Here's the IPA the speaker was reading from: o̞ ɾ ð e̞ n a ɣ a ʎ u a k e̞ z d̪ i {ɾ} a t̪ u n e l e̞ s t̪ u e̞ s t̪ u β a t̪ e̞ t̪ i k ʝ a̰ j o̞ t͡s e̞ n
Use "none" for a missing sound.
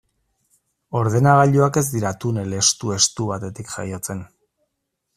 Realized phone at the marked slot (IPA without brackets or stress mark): ɾ